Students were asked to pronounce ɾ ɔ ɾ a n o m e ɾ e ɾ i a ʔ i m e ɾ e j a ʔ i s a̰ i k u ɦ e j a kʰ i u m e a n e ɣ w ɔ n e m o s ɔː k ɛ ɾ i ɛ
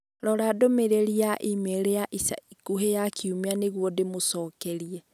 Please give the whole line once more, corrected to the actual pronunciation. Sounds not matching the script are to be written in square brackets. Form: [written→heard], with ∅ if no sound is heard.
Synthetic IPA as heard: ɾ ɔ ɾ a [n→d] o m e ɾ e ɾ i a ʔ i m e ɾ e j a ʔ i s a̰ i k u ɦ e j a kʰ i u m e a n e ɣ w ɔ [n→d] e m o s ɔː k ɛ ɾ i ɛ